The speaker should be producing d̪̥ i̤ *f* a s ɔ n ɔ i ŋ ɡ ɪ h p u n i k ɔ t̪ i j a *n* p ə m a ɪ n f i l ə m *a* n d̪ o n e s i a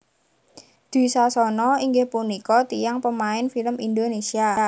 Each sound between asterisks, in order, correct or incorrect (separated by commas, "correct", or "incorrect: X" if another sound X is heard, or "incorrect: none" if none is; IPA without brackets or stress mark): incorrect: s, incorrect: ŋ, incorrect: i